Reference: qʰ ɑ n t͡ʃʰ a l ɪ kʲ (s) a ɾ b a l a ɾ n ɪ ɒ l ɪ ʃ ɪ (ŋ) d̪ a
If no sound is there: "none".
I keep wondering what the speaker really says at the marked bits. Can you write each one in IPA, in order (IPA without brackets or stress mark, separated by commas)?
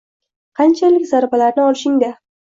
z, ŋ